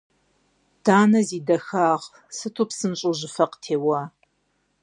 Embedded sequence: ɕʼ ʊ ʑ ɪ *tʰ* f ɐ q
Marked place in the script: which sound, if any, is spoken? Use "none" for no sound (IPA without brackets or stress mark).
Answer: none